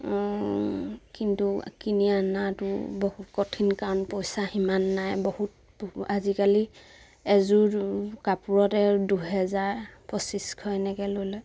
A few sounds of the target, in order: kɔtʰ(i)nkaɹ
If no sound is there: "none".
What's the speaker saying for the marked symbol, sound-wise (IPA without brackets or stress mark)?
i